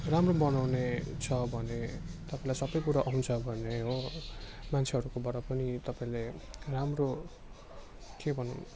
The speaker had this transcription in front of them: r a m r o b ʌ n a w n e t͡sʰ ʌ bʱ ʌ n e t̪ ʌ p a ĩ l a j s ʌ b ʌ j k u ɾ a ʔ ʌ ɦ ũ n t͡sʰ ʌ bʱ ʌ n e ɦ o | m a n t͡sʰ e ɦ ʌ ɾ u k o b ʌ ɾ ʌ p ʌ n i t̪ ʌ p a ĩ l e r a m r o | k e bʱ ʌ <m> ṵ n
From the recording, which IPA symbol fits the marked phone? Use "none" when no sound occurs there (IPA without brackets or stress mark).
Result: n